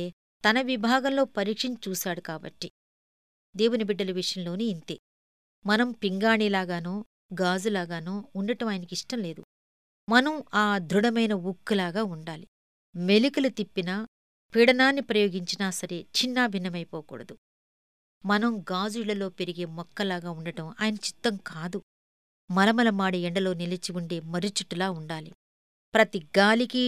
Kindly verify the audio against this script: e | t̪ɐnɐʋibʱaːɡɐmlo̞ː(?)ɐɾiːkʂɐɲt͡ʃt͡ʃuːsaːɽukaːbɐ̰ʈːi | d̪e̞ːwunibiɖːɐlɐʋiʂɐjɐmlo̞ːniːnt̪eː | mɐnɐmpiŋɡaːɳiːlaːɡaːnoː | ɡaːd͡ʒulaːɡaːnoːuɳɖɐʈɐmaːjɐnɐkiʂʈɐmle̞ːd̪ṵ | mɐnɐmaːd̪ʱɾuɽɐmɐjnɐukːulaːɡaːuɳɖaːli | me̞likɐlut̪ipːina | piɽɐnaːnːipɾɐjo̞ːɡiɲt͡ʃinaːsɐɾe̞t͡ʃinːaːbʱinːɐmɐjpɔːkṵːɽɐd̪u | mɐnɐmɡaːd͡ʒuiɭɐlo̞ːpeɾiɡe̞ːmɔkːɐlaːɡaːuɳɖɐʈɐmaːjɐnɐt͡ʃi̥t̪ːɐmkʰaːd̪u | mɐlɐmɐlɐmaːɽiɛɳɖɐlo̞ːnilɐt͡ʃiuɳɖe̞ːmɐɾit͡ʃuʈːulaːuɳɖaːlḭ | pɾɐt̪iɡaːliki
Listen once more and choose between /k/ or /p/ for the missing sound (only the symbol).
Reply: p